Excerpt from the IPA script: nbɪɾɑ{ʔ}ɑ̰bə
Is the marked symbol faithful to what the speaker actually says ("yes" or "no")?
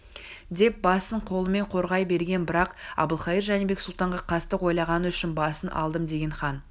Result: no